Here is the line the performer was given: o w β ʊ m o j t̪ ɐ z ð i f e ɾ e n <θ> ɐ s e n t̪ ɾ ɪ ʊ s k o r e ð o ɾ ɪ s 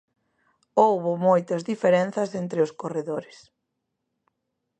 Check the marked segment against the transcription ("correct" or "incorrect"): correct